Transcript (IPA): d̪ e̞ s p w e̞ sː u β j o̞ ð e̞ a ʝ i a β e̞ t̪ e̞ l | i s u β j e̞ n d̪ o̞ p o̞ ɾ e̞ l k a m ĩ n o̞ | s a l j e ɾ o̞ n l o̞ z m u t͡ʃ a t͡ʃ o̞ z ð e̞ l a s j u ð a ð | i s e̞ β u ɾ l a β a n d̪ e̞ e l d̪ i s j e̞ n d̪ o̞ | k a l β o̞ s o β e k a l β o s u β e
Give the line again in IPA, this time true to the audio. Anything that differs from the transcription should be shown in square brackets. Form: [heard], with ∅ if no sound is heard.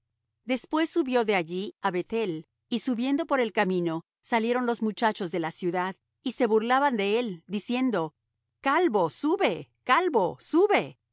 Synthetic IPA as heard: d̪ e̞ s p w e̞ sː u β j o̞ ð e̞ a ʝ i a β e̞ t̪ e̞ l | i s u β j e̞ n d̪ o̞ p o̞ ɾ e̞ l k a m ĩ n o̞ | s a l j e ɾ o̞ n l o̞ z m u t͡ʃ a t͡ʃ o̞ z ð e̞ l a s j u ð a ð | i s e̞ β u ɾ l a β a n d̪ e̞ e l d̪ i s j e̞ n d̪ o̞ | k a l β o̞ s [u] β e k a l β o s u β e